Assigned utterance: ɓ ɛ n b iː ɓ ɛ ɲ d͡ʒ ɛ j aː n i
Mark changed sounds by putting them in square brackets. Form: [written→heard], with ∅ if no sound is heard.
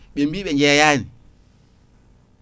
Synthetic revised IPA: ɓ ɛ [n→m] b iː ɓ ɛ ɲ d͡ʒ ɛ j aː n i